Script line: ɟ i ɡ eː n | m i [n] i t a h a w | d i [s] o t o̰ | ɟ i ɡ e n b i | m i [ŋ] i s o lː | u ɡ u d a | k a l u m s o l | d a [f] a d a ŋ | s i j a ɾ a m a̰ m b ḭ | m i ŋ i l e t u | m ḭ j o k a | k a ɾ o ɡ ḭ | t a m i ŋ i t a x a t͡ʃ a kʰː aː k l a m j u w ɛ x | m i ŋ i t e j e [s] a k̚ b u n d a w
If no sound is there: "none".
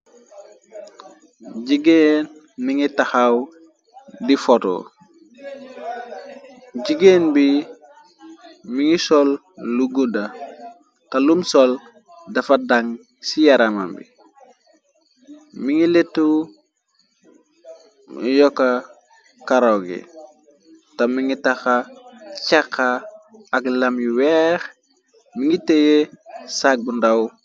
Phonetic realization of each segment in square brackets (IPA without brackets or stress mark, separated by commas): ŋ, f, ŋ, f, s